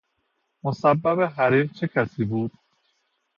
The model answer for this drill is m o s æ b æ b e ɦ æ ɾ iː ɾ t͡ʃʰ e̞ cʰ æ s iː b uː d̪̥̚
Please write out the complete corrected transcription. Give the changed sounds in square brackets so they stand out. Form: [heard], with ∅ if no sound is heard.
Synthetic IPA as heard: m o s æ [bː] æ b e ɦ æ ɾ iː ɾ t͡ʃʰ e̞ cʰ æ s iː b uː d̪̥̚